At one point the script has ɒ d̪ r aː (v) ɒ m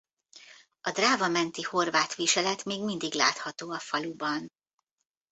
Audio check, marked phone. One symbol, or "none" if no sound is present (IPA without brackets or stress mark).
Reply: v